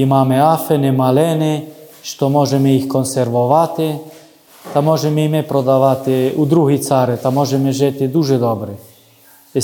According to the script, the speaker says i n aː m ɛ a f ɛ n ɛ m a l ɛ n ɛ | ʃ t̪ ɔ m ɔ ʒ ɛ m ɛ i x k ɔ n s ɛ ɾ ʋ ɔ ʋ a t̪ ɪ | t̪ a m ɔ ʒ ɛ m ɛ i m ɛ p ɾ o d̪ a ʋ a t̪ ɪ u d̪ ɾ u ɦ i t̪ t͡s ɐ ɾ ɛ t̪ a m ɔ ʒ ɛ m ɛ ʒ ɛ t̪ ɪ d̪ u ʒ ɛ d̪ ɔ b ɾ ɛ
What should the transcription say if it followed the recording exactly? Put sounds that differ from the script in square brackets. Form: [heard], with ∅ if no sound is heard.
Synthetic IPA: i [m] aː m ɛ a f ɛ n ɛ m a l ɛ n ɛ | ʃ t̪ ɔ m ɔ ʒ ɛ m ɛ i x k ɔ n s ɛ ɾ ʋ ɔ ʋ a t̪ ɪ | t̪ a m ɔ ʒ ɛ m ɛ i m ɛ p ɾ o d̪ a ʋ a t̪ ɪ u d̪ ɾ u ɦ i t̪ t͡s [a] ɾ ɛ t̪ a m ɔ ʒ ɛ m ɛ ʒ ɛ t̪ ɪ d̪ u ʒ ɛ d̪ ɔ b ɾ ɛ